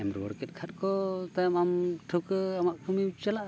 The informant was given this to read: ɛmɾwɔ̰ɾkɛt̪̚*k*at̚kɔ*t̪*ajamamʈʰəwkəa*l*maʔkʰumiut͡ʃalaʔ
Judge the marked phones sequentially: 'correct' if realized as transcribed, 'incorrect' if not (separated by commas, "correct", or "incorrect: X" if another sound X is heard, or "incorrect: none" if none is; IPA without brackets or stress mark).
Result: incorrect: kʰ, correct, incorrect: none